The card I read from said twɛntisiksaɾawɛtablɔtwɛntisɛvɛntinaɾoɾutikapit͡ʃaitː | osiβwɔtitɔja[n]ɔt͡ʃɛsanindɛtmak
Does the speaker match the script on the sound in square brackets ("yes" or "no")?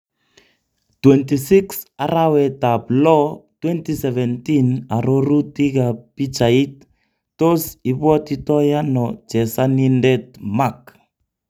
yes